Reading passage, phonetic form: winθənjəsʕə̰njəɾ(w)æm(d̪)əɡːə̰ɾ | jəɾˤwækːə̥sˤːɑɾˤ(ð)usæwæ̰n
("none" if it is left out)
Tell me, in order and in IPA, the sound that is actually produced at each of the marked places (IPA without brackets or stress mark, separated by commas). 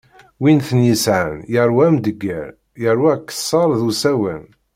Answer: w, d̪, ð